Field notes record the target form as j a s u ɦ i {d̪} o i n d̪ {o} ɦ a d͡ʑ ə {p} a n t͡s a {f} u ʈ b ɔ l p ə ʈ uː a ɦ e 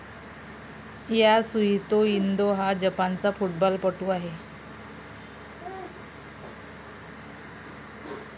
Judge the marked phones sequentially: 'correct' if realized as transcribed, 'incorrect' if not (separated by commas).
incorrect, correct, correct, correct